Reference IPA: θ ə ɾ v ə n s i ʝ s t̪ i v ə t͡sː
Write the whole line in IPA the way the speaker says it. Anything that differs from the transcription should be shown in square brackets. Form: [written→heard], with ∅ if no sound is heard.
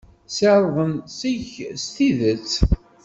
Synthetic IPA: [θ→s] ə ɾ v ə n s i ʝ s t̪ i [v→ð] ə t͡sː